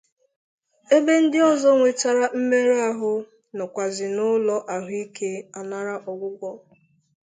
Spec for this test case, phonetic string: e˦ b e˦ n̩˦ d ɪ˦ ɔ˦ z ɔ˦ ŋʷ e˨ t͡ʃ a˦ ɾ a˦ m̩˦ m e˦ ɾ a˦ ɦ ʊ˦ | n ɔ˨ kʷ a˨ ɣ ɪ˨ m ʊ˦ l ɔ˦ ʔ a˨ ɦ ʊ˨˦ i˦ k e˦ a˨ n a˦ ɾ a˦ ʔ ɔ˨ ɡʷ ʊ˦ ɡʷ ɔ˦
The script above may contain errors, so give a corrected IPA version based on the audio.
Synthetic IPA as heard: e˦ b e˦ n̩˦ d ɪ˦ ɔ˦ z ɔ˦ ŋʷ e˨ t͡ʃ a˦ ɾ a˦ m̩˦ m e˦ ɾ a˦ ɦ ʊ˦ | n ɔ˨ kʷ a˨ z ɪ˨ n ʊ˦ l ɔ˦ ʔ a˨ ɦ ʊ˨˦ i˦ k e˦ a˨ n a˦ ɾ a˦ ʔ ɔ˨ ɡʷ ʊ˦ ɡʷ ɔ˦